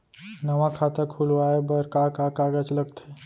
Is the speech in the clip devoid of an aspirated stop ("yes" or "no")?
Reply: no